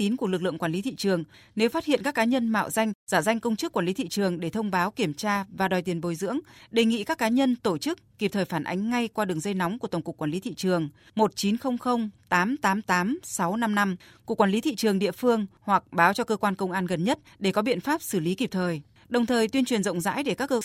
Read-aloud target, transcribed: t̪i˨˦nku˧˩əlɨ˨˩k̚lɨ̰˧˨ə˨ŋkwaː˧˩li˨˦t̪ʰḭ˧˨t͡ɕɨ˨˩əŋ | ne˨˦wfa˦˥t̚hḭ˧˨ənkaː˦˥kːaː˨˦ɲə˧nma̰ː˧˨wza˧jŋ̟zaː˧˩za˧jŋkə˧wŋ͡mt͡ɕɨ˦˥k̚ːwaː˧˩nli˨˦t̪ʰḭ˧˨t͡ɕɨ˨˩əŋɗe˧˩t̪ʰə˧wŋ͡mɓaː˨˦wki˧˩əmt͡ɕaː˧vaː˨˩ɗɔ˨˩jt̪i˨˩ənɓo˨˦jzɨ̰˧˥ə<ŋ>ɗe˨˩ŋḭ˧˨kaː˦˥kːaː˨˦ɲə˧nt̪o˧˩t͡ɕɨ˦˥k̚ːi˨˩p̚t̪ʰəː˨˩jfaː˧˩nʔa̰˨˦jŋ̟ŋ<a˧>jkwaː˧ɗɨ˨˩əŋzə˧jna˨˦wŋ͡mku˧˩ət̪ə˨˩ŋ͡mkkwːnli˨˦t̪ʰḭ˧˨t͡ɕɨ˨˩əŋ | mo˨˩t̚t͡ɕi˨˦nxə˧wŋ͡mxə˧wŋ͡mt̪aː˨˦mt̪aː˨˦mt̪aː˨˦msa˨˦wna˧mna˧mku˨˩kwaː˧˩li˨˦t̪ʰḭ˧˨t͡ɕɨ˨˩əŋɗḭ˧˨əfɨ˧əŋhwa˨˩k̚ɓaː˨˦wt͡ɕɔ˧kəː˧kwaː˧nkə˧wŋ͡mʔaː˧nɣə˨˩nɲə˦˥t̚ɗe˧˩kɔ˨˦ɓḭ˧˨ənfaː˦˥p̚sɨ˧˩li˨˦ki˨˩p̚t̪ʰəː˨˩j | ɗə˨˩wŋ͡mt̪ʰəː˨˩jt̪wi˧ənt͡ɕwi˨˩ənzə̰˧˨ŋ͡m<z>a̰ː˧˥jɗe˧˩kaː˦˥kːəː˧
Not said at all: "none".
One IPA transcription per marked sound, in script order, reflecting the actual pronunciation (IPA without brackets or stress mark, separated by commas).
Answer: ŋ, a˧, z